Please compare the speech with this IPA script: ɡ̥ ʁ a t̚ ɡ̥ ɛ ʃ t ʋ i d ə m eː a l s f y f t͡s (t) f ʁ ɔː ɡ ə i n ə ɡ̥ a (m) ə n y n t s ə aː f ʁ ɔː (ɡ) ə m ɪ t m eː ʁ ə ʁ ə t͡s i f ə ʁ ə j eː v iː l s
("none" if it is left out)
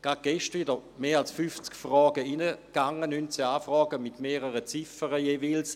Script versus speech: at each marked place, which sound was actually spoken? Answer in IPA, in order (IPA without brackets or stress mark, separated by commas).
k, ŋ, ɡ